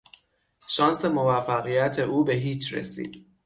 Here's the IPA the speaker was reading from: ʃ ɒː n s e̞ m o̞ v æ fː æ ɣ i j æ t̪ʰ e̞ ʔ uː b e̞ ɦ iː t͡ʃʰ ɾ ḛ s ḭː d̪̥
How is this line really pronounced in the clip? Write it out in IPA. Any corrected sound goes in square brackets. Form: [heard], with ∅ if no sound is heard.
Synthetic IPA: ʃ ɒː n s e̞ m o̞ v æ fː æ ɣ i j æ t̪ʰ e̞ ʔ uː b e̞ ɦ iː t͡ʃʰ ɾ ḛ s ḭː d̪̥